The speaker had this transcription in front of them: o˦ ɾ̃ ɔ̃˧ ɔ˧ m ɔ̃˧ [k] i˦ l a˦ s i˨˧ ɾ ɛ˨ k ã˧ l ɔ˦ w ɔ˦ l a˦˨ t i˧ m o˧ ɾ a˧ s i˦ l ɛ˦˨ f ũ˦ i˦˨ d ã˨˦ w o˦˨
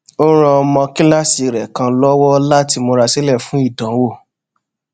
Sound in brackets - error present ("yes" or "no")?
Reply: no